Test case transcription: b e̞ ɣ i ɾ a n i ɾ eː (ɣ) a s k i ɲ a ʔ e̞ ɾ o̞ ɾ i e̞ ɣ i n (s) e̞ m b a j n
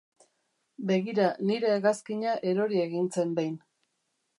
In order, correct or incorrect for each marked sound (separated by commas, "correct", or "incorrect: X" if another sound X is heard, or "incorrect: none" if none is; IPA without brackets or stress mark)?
correct, incorrect: t͡s